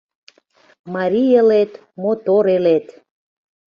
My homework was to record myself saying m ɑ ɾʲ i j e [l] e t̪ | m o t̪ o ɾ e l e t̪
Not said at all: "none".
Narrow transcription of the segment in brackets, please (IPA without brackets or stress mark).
l